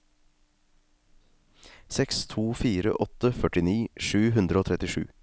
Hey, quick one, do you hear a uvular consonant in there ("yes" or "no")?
no